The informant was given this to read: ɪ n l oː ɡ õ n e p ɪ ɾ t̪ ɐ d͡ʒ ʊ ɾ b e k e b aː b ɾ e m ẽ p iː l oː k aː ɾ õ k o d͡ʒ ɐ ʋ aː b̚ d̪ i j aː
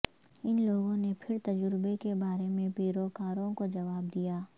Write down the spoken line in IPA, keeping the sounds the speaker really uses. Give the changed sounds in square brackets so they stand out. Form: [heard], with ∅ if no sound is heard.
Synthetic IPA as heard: ɪ n l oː ɡ õ n e [pʰ] ɪ ɾ t̪ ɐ d͡ʒ ʊ ɾ b e k e b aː [∅] ɾ e m ẽ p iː [ɾ] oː k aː ɾ õ k o d͡ʒ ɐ ʋ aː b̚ d̪ i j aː

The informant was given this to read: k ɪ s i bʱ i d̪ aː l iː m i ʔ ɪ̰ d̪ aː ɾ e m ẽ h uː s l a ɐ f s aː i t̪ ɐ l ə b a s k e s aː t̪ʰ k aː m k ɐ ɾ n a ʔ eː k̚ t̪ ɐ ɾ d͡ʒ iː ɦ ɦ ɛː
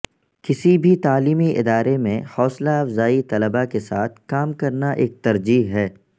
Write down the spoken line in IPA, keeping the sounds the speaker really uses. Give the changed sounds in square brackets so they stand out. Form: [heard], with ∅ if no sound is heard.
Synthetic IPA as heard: k ɪ s i bʱ i [t̪] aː l iː m i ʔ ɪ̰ d̪ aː ɾ e m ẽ h [ɔː] s l a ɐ f [z] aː i t̪ ɐ l ə b a [∅] k e s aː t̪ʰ k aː m k ɐ ɾ n a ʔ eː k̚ t̪ ɐ ɾ d͡ʒ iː ɦ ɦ ɛː

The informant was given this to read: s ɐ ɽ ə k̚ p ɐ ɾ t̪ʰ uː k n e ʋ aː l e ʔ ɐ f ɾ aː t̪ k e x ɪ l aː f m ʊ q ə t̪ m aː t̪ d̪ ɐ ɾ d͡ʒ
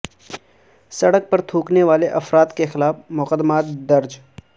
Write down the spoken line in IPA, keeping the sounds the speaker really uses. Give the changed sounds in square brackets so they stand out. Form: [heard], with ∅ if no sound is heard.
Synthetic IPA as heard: s ɐ ɽ ə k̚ p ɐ ɾ t̪ʰ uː k n e ʋ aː l e ʔ ɐ f ɾ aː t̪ k e x ɪ l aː f m ʊ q ə [d̪] m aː t̪ d̪ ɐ ɾ d͡ʒ

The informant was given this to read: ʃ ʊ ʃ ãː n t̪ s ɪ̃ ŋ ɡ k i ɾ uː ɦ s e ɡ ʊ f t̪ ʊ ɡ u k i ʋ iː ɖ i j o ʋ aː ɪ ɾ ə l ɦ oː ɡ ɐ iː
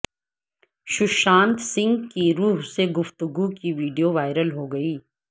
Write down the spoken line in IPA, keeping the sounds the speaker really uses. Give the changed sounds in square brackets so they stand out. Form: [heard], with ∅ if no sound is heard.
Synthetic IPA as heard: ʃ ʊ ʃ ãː n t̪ s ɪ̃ ŋ ɡ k i ɾ uː ɦ s e ɡ ʊ f t̪ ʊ ɡ u k i ʋ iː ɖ i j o ʋ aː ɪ ɾ ə l ɦ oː ɡ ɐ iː

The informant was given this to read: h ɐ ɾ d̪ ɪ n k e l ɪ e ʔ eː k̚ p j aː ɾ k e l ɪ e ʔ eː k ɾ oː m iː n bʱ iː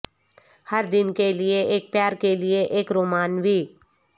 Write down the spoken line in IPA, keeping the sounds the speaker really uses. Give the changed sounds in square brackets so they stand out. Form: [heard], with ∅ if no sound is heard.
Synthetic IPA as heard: h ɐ ɾ d̪ ɪ n k e l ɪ e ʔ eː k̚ p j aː ɾ k e l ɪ e ʔ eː k ɾ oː m [aː] n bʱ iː

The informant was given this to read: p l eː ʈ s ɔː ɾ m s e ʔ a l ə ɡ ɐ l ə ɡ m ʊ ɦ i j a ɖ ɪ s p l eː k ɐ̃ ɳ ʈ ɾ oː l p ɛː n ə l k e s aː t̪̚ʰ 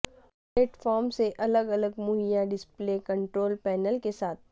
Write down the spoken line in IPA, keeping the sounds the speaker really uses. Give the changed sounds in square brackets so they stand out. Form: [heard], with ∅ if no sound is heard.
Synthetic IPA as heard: p l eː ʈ [f] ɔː ɾ m s e ʔ [ɐ] l ə ɡ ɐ l ə ɡ m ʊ ɦ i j a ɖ ɪ s p l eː k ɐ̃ ɳ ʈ ɾ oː l p ɛː n ə l k e s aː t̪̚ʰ

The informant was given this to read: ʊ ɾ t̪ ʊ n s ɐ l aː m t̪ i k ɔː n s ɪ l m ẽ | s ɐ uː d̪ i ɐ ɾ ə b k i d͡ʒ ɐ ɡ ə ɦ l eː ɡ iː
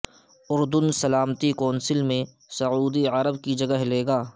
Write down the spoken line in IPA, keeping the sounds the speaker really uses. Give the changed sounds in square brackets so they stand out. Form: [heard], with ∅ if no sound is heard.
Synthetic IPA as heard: ʊ ɾ [d̪] ʊ n s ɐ l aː m t̪ i k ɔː n s ɪ l m ẽ | s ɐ uː d̪ i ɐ ɾ ə b k i d͡ʒ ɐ ɡ ə ɦ l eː ɡ [aː]

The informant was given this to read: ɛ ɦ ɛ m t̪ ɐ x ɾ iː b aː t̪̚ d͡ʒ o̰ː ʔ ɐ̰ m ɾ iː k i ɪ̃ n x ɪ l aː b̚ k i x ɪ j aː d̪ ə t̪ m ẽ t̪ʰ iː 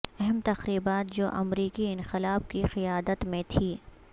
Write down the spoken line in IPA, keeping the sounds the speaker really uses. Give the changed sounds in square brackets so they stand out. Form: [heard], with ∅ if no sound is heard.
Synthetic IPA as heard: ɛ ɦ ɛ m t̪ ɐ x ɾ iː b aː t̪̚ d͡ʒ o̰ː ʔ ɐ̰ m ɾ iː k i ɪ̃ n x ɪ l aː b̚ k i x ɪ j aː d̪ ə t̪ m ẽ t̪ʰ iː

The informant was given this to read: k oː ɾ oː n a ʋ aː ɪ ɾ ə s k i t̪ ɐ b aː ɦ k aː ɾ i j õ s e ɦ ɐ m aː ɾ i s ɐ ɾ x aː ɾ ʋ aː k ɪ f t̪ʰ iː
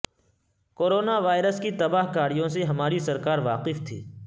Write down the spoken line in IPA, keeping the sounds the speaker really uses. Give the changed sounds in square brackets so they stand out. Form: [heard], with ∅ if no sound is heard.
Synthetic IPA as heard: k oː ɾ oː n a ʋ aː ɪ ɾ ə s k i t̪ ɐ b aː ɦ k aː ɾ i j õ s e ɦ ɐ m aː ɾ i s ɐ ɾ [k] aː ɾ ʋ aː [q] ɪ f t̪ʰ iː

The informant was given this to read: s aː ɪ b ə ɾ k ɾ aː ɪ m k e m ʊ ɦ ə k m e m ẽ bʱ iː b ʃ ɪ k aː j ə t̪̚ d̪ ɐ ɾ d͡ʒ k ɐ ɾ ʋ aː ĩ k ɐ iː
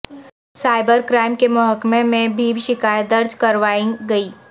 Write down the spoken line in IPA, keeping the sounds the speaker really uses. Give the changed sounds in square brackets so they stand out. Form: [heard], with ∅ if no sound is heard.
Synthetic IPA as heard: s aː ɪ b ə ɾ k ɾ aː ɪ m k e m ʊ ɦ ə k m e m ẽ bʱ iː b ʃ ɪ k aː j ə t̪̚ d̪ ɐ ɾ d͡ʒ k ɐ ɾ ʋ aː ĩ [ɡ] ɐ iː

